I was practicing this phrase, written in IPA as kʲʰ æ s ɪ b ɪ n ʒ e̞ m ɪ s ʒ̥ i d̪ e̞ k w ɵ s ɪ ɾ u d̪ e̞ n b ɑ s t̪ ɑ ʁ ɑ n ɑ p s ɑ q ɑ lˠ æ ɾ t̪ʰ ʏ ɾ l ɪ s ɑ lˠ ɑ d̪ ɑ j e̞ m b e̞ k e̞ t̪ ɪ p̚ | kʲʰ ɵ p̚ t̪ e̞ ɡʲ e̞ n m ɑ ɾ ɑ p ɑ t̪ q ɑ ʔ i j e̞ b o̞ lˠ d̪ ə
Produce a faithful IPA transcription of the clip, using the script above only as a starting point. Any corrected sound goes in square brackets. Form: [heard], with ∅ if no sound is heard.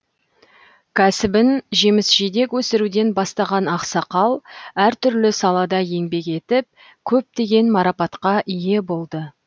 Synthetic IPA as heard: kʲʰ æ s ɪ b ɪ n ʒ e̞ m ɪ s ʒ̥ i d̪ e̞ k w ɵ s ɪ ɾ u d̪ e̞ n b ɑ s t̪ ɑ ʁ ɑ n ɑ [q] s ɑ q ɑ lˠ æ ɾ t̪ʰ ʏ ɾ l ɪ s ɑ lˠ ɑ d̪ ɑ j e̞ [ŋ] b e̞ k e̞ t̪ ɪ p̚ | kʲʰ ɵ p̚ t̪ e̞ ɡʲ e̞ n m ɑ ɾ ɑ p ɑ t̪ q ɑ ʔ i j e̞ b o̞ lˠ d̪ ə